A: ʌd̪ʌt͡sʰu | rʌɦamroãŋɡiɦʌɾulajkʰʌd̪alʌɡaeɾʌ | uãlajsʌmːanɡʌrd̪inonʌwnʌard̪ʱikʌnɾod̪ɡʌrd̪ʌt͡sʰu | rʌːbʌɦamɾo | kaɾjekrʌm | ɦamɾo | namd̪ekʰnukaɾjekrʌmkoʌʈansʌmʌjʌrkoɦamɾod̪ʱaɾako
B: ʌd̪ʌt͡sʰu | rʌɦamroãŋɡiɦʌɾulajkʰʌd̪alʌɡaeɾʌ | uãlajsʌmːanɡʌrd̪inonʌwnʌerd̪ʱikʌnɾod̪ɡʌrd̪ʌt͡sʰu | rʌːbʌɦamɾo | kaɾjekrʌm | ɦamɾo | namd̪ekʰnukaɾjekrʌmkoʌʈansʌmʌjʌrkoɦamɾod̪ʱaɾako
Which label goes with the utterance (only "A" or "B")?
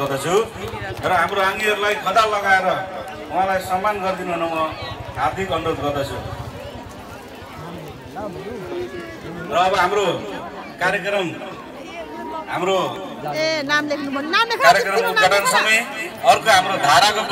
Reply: A